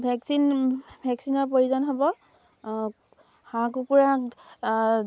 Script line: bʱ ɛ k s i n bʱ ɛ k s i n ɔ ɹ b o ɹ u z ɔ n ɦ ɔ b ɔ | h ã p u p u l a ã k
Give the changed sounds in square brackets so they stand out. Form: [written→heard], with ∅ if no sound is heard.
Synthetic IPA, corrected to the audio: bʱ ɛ k s i n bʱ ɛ k s i n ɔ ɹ [b→p] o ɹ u z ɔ n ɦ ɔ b ɔ | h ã [p→k] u p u [l→ɹ] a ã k